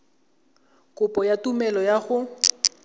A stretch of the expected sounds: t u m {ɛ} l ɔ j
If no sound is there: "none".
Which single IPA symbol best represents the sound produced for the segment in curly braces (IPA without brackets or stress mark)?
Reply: ɛ